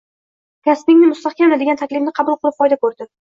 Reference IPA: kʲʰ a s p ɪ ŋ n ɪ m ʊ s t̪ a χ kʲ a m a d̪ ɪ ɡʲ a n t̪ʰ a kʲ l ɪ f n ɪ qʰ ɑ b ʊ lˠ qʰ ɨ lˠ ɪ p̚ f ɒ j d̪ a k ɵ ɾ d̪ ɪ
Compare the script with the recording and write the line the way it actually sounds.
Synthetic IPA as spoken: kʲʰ a s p ɪ ŋ n ɪ m ʊ s t̪ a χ kʲ a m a d̪ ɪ ɡʲ a n t̪ʰ a kʲ l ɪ f n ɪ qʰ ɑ b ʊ lˠ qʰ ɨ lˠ ɪ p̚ f ɒ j d̪ a k ɵ ɾ d̪ ɪ